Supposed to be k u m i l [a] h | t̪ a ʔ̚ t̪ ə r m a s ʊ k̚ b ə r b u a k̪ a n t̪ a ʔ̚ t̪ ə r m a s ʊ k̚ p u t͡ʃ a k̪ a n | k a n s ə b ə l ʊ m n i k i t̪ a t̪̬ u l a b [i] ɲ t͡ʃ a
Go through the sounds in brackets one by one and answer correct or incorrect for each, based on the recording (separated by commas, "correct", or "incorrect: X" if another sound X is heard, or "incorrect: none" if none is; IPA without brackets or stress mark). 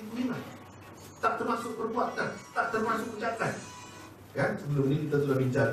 correct, correct